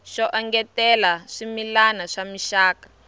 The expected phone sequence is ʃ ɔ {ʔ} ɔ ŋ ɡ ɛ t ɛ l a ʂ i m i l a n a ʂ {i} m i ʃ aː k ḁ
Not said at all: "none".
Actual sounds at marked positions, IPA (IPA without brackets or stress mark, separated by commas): ʔ, a